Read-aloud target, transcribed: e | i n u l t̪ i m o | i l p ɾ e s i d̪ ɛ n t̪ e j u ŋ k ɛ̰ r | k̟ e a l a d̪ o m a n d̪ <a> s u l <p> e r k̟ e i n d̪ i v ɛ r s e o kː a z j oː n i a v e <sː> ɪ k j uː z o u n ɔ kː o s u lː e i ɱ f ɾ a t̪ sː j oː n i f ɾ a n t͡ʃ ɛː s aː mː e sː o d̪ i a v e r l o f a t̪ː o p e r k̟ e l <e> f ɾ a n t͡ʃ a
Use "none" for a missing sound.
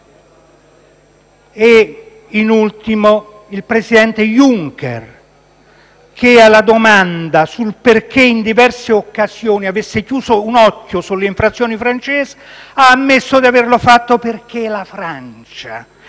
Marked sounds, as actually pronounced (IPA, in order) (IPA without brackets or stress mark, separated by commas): a, p, sː, a